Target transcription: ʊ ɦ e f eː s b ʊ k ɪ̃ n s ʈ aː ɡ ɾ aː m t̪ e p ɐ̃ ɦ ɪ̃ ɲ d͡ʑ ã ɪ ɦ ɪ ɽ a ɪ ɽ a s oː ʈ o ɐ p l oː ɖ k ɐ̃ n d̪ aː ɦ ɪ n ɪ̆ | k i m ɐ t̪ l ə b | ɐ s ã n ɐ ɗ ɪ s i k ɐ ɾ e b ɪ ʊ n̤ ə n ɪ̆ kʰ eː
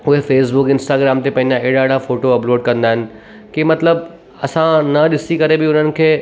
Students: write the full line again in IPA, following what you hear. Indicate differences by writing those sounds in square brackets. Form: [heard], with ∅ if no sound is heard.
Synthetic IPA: ʊ ɦ e f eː s b ʊ k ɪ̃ n s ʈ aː ɡ ɾ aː m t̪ e p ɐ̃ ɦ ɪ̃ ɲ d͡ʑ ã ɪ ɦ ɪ ɽ a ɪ ɽ a [f] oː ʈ o ɐ p l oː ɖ k ɐ̃ n d̪ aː ɦ ɪ n ɪ̆ | k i m ɐ t̪ l ə b | ɐ s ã n ɐ ɗ ɪ s i k ɐ ɾ e b ɪ ʊ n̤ ə n ɪ̆ kʰ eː